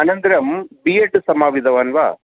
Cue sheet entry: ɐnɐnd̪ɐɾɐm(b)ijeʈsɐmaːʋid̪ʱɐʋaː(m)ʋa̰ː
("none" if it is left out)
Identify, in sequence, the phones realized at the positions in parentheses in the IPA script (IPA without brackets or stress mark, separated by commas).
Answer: b, n